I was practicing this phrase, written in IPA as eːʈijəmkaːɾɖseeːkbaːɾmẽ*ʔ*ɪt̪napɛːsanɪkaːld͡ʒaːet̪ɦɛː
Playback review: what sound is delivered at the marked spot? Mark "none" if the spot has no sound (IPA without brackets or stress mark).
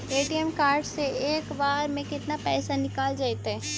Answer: k